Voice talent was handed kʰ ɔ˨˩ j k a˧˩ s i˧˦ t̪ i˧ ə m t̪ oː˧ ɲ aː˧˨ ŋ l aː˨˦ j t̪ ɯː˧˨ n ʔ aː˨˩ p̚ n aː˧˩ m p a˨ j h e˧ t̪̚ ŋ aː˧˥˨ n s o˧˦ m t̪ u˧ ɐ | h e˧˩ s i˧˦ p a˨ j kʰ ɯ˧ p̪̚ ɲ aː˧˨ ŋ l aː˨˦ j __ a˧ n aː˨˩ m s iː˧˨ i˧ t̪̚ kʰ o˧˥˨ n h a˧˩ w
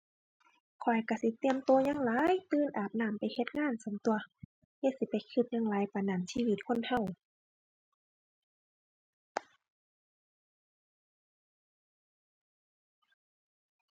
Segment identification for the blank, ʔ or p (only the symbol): p